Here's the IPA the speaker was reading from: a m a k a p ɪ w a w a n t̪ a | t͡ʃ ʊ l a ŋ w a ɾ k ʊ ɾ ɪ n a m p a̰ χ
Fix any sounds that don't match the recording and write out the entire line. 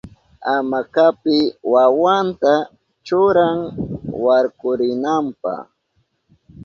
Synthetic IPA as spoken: a m a k a p ɪ w a w a n t̪ a | t͡ʃ ʊ ɾ a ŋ w a ɾ k ʊ ɾ ɪ n a m p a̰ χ